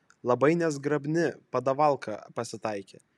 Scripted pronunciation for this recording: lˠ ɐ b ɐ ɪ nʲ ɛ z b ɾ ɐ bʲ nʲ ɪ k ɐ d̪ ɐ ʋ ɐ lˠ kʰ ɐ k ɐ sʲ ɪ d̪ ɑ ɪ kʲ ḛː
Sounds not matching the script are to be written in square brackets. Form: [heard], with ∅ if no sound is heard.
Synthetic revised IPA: lˠ ɐ b ɐ ɪ nʲ ɛ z [ɡ] ɾ ɐ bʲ nʲ ɪ [p] ɐ d̪ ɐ ʋ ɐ lˠ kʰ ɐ [p] ɐ sʲ ɪ [t̪] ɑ ɪ kʲ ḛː